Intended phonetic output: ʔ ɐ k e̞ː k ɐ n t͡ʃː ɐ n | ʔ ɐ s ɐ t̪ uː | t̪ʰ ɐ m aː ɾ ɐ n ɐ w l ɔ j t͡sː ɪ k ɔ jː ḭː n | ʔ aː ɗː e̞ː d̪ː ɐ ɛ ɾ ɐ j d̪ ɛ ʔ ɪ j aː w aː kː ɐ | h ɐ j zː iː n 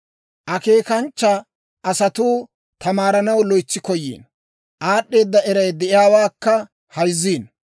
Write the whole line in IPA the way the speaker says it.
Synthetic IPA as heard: ʔ ɐ k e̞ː k ɐ n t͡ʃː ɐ | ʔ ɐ s ɐ t̪ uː | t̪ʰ ɐ m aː ɾ ɐ n ɐ w l ɔ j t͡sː ɪ k ɔ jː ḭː n | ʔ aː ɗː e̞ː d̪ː ɐ ɛ ɾ ɐ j d̪ ɛ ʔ ɪ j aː w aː kː ɐ | h ɐ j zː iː n